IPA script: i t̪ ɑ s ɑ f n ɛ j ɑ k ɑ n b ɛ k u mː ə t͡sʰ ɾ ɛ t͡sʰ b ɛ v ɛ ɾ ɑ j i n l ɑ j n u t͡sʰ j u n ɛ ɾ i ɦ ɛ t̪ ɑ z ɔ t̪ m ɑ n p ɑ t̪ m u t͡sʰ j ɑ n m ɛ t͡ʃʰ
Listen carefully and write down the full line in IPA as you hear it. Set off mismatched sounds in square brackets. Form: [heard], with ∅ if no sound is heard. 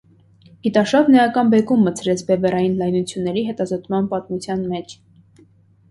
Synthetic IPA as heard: i t̪ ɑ [ʃ] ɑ [v] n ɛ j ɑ k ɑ n b ɛ k u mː ə t͡sʰ ɾ ɛ t͡sʰ b ɛ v ɛ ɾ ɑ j i n l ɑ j n u t͡sʰ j u [nː] ɛ ɾ i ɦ ɛ t̪ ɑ z ɔ t̪ m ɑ n p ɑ t̪ m u t͡sʰ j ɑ n m ɛ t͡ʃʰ